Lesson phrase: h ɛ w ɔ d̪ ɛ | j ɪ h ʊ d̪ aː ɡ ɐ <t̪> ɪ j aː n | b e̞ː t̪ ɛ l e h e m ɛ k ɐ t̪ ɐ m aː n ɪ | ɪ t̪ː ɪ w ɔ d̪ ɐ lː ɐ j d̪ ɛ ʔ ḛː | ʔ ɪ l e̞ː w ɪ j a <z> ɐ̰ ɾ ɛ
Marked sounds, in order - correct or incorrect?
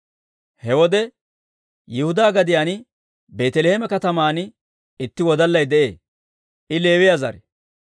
incorrect: d̪, correct

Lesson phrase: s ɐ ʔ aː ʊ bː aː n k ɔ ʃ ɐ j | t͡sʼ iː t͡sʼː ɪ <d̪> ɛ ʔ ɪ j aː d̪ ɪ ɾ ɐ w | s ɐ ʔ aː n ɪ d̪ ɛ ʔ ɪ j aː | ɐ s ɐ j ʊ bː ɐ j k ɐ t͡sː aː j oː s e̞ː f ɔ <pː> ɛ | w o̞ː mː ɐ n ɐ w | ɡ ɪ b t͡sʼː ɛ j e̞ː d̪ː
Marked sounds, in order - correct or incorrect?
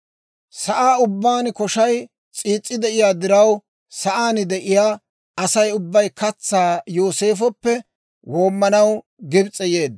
correct, correct

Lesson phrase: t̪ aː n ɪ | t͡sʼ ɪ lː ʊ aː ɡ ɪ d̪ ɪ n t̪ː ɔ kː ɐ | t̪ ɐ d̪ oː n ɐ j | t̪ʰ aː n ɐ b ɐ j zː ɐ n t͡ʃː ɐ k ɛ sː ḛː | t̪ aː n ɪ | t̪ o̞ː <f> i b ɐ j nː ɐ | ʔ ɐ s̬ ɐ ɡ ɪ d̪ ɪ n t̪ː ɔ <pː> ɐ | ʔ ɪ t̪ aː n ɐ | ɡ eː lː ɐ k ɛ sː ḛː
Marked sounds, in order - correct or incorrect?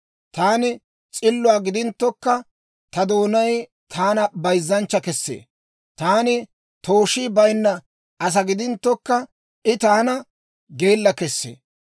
incorrect: ʃ, incorrect: kː

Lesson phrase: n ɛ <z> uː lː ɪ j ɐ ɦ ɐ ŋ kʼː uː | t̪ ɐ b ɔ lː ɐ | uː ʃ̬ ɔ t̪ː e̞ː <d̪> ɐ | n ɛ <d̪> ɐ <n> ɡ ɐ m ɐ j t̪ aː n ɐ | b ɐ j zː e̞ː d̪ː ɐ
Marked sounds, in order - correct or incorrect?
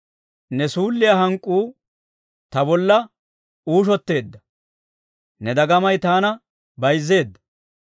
incorrect: s, incorrect: d̪ː, correct, incorrect: none

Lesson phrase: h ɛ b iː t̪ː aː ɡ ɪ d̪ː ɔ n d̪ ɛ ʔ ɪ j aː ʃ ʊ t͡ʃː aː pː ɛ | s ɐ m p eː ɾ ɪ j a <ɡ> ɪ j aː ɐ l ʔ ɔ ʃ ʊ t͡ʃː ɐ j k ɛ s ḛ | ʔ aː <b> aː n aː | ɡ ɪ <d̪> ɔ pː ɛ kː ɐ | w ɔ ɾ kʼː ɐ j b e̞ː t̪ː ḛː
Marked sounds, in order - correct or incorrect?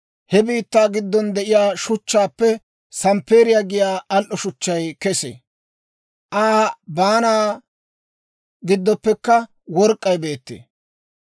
correct, correct, incorrect: d̪ː

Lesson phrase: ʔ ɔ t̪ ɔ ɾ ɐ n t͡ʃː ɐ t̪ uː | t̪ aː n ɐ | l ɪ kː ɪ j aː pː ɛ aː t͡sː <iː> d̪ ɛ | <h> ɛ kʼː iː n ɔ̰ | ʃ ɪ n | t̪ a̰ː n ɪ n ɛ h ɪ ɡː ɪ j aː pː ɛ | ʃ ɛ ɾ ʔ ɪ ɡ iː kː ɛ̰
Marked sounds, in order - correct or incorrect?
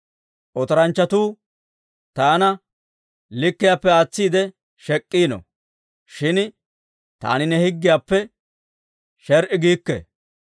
correct, incorrect: ʃ

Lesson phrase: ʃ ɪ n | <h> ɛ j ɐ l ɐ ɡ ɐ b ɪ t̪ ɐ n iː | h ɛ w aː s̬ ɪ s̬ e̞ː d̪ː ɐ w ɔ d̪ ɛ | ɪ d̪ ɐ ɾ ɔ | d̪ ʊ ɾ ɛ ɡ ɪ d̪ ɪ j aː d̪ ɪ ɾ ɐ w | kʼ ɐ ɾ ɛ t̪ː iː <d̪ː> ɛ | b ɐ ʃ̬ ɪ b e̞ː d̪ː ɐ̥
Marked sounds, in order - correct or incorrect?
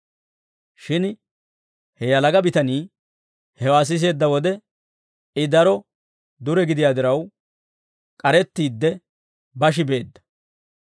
correct, correct

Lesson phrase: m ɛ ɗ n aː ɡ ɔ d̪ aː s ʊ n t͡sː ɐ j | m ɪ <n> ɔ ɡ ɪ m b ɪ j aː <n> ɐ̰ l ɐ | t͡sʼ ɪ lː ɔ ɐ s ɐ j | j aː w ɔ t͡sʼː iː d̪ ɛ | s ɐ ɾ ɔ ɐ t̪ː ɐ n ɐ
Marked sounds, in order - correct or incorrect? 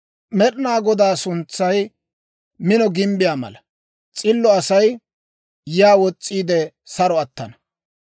correct, incorrect: m

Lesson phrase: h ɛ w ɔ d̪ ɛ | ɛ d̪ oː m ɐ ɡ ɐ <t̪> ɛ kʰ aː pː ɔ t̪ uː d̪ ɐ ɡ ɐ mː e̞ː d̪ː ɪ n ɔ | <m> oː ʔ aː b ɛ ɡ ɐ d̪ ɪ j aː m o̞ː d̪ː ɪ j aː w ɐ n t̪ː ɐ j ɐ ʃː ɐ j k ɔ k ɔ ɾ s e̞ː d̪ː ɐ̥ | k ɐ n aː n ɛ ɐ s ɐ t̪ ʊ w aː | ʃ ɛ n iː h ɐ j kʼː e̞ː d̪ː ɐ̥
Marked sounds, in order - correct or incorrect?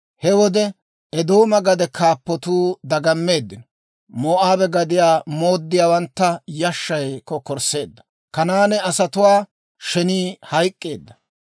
incorrect: d̪, correct

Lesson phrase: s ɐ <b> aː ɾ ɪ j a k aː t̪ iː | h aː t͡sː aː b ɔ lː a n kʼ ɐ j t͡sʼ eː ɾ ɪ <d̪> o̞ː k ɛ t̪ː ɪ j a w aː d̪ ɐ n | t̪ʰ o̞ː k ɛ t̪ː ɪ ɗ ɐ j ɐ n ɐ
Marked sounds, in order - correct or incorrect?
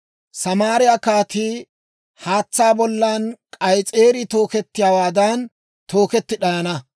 incorrect: m, incorrect: t̪

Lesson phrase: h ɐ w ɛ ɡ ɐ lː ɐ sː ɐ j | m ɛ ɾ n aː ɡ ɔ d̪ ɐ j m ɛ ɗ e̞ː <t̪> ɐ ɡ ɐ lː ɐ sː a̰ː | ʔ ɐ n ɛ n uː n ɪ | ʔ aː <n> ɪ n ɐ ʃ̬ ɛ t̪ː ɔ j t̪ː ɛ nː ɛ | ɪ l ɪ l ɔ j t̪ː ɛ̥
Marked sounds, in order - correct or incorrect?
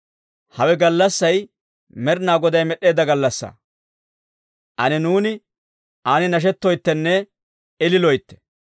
incorrect: d̪, correct

